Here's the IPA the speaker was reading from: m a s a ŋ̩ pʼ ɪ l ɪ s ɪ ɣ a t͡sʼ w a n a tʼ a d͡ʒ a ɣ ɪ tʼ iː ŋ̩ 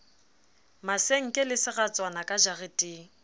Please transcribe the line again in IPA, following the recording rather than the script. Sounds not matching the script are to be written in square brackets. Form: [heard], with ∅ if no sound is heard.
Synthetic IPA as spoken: m a s [e] ŋ̩ [kʼ] ɪ l ɪ s ɪ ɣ a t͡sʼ w a n a [kʼ] a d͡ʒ a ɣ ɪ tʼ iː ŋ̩